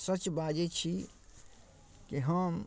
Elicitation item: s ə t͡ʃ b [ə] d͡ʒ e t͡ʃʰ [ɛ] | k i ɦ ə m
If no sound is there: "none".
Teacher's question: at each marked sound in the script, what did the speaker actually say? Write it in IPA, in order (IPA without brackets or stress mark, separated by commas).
a, i